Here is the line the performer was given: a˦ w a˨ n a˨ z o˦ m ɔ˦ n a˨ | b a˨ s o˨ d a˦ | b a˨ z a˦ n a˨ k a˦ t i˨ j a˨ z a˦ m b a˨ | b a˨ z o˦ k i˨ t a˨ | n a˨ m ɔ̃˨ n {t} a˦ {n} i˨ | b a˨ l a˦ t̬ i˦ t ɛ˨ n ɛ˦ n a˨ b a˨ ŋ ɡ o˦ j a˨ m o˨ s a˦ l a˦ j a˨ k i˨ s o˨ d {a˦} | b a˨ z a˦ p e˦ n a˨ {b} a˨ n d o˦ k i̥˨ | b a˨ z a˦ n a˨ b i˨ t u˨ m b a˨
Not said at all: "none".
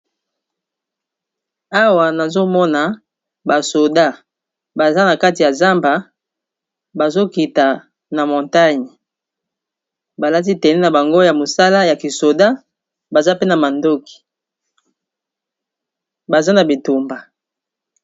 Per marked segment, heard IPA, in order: t, ɲ, a˦, m

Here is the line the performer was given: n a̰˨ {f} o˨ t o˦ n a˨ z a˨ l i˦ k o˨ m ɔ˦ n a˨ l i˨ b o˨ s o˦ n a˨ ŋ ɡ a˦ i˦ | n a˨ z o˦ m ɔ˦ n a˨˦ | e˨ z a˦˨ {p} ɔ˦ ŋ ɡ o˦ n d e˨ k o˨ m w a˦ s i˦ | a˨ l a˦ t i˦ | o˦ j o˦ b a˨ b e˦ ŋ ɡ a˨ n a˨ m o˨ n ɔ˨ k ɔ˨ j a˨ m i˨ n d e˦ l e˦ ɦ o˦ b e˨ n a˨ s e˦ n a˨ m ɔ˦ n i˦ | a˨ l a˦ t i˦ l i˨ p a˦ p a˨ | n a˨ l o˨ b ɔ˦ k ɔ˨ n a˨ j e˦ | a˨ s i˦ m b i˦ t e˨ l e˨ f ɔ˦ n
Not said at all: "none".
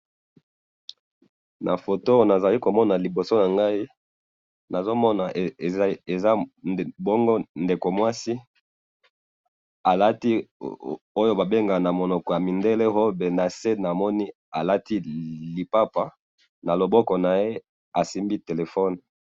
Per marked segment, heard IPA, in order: f, b

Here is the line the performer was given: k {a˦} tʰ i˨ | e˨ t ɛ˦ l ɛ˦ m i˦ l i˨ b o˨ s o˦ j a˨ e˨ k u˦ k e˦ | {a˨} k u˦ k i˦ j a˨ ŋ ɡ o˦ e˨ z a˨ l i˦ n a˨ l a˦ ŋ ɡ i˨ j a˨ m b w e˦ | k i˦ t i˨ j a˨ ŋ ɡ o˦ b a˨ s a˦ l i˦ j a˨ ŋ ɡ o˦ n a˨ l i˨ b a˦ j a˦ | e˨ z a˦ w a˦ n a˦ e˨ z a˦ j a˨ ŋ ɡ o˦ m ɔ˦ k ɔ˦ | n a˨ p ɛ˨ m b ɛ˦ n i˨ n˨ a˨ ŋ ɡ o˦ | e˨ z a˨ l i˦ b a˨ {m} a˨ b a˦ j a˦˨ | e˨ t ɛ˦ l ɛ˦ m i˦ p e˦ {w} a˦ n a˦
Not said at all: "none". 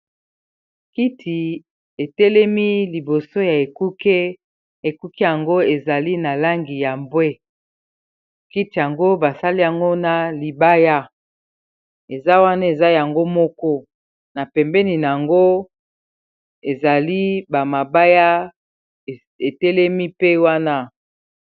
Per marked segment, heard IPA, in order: i˦, e˨, m, w

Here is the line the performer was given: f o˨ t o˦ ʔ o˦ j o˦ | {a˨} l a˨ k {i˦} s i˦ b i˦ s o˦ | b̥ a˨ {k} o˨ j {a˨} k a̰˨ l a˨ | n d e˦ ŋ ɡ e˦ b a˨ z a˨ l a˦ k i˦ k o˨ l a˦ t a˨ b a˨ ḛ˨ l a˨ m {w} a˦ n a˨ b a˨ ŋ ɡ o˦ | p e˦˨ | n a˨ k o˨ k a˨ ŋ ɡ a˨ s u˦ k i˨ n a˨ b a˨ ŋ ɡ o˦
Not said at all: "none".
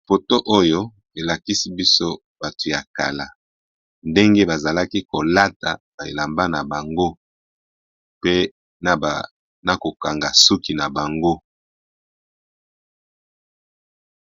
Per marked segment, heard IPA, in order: e˨, i˦, t, a˨, b

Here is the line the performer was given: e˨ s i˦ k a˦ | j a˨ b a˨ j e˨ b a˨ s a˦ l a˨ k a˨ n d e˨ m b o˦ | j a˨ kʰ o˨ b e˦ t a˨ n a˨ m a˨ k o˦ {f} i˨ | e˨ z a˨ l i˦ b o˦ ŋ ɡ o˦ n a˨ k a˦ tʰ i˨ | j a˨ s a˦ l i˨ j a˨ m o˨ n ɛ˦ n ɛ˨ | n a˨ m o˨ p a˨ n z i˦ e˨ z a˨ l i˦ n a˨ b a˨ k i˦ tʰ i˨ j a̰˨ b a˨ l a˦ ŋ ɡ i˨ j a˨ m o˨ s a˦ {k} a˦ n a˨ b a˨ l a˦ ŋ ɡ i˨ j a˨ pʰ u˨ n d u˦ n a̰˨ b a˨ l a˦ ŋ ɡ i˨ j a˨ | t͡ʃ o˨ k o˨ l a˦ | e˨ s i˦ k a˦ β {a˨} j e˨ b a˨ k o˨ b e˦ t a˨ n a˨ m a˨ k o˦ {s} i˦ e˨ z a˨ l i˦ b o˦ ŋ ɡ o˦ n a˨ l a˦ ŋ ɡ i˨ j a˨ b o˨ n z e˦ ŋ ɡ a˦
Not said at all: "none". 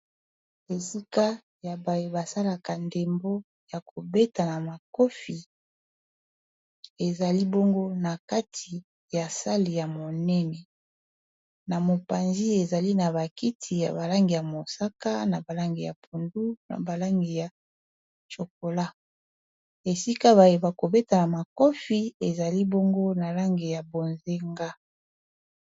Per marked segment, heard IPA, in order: f, k, a˨, f

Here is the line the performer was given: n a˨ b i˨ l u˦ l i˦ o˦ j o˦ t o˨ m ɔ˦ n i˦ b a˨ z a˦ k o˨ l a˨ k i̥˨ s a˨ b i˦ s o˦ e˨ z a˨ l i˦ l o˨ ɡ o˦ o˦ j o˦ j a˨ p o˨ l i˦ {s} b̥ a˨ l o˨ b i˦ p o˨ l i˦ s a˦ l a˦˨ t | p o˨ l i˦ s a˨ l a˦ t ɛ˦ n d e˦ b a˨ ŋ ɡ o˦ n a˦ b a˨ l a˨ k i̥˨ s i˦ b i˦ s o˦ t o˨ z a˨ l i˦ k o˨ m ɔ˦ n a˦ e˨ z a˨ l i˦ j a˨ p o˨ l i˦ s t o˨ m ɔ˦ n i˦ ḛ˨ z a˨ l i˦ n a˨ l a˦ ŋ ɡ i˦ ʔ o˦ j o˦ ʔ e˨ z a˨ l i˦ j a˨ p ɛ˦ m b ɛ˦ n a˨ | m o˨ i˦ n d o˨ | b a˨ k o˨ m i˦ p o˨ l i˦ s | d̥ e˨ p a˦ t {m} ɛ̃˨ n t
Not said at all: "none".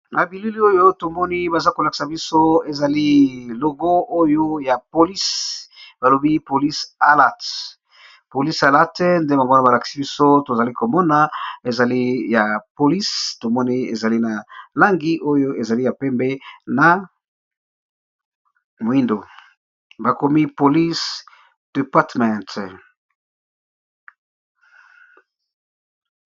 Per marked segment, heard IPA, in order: s, m

